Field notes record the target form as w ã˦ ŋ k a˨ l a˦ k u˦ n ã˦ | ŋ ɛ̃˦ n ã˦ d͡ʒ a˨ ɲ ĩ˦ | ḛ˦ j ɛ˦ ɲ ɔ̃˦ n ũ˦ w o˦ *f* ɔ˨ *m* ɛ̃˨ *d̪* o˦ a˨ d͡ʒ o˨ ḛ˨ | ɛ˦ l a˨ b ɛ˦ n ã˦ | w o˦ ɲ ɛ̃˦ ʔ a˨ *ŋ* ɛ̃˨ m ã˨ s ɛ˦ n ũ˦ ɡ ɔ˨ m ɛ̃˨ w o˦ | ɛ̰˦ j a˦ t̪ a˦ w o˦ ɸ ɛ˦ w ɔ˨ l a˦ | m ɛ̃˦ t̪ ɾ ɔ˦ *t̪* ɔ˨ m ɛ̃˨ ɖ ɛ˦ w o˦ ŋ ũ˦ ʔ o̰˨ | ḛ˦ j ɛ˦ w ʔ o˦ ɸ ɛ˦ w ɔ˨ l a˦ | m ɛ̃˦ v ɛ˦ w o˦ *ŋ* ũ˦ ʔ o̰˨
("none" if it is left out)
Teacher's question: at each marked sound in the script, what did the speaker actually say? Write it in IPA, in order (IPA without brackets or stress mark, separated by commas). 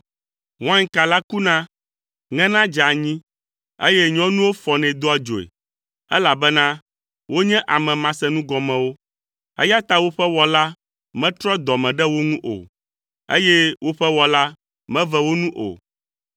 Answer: f, n, d̪, m, d̪, n